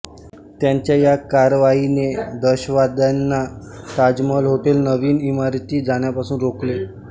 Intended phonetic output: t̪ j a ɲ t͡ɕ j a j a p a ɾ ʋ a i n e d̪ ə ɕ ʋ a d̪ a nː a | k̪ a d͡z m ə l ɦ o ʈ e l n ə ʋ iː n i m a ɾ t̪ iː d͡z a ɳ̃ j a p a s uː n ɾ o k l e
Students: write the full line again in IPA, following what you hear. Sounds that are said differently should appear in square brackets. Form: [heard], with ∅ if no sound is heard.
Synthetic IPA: t̪ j a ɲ t͡ɕ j a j a [k] a ɾ ʋ a i n e d̪ ə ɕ ʋ a d̪ a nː a | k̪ a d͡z m ə l ɦ o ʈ e l n ə ʋ iː n i m a ɾ t̪ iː d͡z a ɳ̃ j a p a s uː n ɾ o k l e